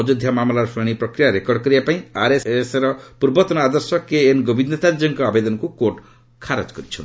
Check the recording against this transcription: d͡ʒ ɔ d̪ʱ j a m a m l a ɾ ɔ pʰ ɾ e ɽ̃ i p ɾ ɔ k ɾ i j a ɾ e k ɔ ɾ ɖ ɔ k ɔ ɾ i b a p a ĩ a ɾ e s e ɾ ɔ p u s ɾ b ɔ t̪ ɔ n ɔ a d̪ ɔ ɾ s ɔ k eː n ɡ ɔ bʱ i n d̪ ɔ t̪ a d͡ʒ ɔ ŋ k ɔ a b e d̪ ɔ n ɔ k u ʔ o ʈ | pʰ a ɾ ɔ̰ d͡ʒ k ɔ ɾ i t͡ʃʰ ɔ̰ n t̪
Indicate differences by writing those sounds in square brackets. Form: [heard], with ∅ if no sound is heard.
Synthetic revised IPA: d͡ʒ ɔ d̪ʱ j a m a m l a ɾ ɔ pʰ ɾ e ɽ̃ i p ɾ ɔ k ɾ i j a ɾ e k ɔ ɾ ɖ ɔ k ɔ ɾ i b a p a ĩ a ɾ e s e ɾ ɔ p u [∅] ɾ b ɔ t̪ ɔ n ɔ a d̪ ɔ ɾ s ɔ k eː n ɡ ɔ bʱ i n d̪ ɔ t̪ a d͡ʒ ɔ ŋ k ɔ a b e d̪ ɔ n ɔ k u [k] o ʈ | [kʰ] a ɾ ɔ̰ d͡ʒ k ɔ ɾ i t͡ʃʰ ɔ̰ n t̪